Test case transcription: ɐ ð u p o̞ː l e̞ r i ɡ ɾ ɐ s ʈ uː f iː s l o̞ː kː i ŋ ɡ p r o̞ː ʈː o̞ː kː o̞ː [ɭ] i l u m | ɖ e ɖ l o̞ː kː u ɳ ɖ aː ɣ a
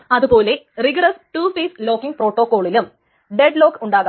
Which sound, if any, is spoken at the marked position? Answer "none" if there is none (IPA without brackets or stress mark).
ɭ